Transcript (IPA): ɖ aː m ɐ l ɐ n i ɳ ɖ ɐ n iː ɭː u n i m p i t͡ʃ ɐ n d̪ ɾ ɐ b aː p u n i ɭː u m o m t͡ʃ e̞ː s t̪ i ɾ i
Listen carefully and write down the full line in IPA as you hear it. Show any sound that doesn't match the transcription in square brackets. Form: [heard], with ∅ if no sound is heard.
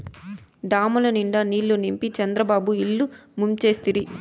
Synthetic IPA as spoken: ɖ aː m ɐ l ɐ n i ɳ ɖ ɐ n iː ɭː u n i m p i t͡ʃ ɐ n d̪ ɾ ɐ b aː [b] u [∅] i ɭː u m [u] m t͡ʃ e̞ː s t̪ i ɾ i